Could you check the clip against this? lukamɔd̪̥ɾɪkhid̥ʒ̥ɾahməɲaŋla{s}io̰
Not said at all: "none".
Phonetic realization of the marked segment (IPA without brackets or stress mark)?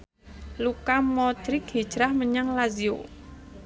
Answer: z